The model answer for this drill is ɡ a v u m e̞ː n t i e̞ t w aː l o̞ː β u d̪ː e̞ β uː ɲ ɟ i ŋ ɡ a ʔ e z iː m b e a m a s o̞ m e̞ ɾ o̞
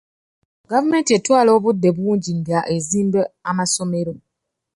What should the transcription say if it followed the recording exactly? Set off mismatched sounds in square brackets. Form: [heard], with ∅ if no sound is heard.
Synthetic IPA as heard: ɡ a v u m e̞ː n t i e̞ t w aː l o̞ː β u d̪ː e̞ β uː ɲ ɟ i ŋ ɡ a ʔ e z iː m b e a m a s o̞ m e̞ ɾ o̞